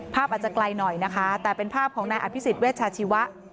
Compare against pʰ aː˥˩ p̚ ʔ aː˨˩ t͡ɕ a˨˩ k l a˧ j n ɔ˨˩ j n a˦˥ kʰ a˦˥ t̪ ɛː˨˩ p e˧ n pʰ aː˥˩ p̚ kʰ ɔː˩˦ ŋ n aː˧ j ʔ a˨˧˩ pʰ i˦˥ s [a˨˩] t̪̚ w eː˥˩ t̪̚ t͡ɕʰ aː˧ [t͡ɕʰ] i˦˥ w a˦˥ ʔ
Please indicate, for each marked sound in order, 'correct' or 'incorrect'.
incorrect, correct

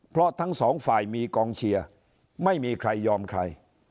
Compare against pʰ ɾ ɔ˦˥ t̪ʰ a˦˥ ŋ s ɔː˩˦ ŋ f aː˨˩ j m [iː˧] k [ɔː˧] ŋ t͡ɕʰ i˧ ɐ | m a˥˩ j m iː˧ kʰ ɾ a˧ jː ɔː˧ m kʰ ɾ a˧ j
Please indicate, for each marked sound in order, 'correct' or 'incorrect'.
correct, correct

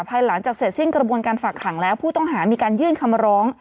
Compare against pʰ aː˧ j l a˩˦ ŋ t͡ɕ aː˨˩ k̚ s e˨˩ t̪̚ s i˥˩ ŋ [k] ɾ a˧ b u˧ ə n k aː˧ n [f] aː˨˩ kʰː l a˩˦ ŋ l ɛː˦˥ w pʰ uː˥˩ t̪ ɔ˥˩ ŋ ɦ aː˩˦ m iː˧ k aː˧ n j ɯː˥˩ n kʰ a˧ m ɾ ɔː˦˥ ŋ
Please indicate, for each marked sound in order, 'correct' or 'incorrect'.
correct, correct

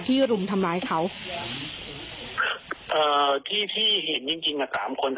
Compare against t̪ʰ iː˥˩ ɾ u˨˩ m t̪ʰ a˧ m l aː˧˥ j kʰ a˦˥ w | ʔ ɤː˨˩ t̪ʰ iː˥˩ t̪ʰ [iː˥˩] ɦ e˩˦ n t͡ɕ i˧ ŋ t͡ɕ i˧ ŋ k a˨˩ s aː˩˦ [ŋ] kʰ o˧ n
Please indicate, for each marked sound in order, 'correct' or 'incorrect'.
correct, incorrect

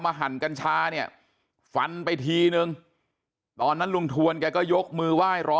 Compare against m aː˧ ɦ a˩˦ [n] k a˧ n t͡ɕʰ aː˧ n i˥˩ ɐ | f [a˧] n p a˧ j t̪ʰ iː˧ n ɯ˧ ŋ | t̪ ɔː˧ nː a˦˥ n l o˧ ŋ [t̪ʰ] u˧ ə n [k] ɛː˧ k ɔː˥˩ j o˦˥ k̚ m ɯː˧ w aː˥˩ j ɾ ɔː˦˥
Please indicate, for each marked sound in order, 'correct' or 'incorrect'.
correct, correct, correct, correct

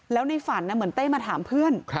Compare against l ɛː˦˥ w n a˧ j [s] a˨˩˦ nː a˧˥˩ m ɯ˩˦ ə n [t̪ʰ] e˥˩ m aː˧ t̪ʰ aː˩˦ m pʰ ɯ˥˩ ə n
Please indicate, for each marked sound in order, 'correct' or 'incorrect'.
incorrect, incorrect

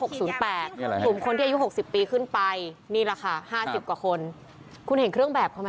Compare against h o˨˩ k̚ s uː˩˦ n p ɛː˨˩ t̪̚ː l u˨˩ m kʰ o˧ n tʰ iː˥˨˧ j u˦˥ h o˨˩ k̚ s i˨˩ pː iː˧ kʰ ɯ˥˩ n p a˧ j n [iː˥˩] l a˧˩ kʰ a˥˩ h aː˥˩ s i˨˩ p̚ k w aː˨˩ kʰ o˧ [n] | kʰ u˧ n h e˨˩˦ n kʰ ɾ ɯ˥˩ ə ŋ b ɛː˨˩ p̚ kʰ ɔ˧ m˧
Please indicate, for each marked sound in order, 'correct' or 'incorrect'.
correct, correct

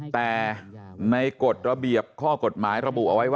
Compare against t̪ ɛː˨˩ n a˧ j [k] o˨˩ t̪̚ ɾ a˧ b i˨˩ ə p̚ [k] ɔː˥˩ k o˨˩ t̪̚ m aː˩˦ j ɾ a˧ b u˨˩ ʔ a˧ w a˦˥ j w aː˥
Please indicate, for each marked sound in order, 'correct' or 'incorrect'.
correct, incorrect

